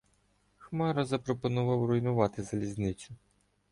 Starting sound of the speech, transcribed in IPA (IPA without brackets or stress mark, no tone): x